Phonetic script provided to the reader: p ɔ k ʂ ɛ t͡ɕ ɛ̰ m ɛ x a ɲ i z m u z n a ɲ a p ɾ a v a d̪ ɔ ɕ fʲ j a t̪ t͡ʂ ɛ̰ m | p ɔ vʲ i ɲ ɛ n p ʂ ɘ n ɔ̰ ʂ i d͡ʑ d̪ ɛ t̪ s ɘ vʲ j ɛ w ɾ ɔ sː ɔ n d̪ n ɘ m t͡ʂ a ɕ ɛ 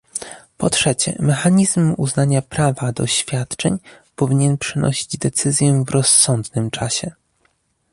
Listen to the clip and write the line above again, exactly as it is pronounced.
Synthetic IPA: p ɔ t ʂ ɛ t͡ɕ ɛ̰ m ɛ x a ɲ i z m u z n a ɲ a p ɾ a v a d̪ ɔ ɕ fʲ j a t̪ t͡ʂ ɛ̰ ɲ | p ɔ vʲ i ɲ ɛ n p ʂ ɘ n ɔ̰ ɕ i d͡ʑ d̪ ɛ t̪ s ɘ zʲ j ɛ v ɾ ɔ sː ɔ n d̪ n ɘ m t͡ʂ a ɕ ɛ